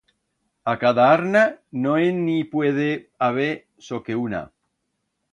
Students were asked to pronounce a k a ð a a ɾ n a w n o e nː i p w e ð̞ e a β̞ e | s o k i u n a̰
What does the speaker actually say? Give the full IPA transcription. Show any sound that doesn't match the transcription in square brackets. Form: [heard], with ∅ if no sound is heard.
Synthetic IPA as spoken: a k a ð a a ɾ n a [∅] n o e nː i p w e ð̞ e a β̞ e | s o k [e] u n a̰